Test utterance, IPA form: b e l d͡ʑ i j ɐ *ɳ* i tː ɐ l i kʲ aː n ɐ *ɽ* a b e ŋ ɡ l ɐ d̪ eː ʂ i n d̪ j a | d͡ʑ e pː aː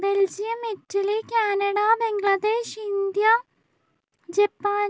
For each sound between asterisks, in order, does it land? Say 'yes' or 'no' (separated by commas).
no, yes